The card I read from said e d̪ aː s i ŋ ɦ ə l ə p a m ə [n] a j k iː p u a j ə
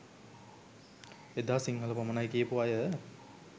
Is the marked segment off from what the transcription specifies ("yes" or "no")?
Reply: no